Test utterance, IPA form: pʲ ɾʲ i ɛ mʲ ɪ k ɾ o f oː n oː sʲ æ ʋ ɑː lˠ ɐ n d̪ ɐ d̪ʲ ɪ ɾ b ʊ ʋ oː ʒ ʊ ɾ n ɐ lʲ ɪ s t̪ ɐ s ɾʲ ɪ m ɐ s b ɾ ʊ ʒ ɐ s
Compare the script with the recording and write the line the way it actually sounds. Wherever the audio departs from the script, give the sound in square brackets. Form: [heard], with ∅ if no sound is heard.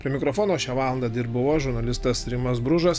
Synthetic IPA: pʲ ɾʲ i ɛ mʲ ɪ k ɾ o f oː n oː [ʃʲ] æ ʋ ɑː lˠ ɐ n d̪ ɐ d̪ʲ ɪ ɾ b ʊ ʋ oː ʒ ʊ ɾ n ɐ lʲ ɪ s t̪ ɐ s ɾʲ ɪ m ɐ s b ɾ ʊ ʒ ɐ s